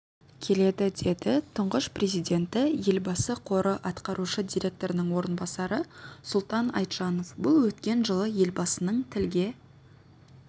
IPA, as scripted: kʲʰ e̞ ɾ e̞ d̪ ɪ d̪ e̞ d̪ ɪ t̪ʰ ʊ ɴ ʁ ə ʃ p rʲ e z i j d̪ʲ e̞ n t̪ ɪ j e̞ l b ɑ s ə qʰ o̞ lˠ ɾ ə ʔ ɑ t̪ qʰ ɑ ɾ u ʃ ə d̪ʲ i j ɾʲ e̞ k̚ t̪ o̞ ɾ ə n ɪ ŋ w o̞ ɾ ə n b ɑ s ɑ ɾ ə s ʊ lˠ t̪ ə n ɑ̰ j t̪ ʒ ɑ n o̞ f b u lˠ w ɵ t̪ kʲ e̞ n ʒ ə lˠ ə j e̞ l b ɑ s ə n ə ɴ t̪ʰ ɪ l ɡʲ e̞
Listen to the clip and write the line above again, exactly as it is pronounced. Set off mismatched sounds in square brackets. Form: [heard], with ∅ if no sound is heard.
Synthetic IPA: kʲʰ e̞ [l] e̞ d̪ ɪ d̪ e̞ d̪ ɪ t̪ʰ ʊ ɴ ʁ ə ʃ p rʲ e z i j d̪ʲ e̞ n t̪ ɪ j e̞ l b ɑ s ə qʰ o̞ [∅] ɾ ə ʔ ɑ t̪ [q] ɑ ɾ u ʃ ə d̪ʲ i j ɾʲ e̞ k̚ t̪ o̞ ɾ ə n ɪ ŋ w o̞ ɾ ə n b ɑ s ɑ ɾ ə s ʊ lˠ t̪ [ɑ] n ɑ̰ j t̪ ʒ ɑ n o̞ f b [ʊ] lˠ w ɵ t̪ kʲ e̞ n ʒ ə lˠ ə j e̞ l b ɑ s ə n ə ɴ t̪ʰ ɪ l ɡʲ e̞